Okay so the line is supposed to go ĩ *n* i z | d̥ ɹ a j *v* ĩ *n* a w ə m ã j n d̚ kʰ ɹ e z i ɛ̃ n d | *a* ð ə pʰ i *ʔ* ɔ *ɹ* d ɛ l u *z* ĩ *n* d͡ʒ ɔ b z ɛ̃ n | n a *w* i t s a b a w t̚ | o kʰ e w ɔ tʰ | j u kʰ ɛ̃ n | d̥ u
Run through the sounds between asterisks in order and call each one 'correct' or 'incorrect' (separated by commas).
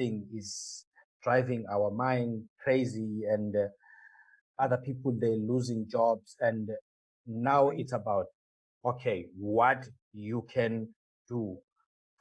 incorrect, correct, incorrect, correct, incorrect, incorrect, correct, incorrect, correct